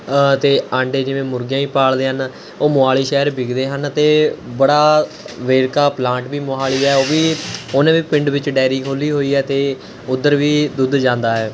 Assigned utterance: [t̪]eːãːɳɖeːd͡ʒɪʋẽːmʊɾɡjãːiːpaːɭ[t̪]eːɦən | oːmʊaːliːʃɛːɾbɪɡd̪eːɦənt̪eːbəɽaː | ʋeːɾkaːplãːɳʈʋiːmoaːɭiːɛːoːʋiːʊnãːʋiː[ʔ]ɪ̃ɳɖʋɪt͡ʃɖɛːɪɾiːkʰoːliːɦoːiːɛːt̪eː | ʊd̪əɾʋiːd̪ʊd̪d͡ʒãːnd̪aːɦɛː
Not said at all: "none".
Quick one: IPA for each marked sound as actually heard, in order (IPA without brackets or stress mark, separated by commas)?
t̪, d̪, p